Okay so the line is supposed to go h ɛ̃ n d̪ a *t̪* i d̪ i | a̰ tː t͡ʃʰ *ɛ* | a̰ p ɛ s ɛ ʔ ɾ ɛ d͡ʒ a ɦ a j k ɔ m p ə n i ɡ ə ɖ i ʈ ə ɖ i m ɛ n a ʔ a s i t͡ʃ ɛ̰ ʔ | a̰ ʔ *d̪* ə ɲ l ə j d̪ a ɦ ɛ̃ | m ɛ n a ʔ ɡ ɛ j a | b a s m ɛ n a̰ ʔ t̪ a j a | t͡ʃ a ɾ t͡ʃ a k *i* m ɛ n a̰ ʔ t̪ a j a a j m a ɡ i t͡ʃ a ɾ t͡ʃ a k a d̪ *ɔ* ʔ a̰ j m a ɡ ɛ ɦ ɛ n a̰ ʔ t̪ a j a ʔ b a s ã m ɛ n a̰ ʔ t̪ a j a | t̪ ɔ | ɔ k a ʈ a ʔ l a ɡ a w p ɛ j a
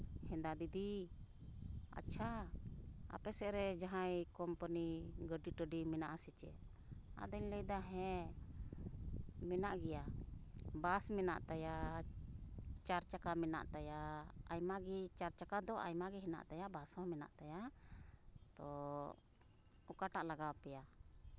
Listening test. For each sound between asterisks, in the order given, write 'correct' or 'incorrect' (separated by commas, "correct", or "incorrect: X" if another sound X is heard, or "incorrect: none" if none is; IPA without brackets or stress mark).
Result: incorrect: d̪, incorrect: a, correct, incorrect: a, correct